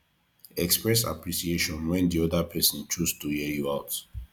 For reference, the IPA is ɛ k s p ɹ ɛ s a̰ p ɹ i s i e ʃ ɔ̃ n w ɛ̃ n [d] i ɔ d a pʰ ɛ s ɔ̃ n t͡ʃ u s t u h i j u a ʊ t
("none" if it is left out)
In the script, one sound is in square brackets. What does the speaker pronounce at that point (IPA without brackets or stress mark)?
d